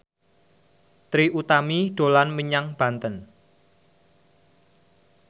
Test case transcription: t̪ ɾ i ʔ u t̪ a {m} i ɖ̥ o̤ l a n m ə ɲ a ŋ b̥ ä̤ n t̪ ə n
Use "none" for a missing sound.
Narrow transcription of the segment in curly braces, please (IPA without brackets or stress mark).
m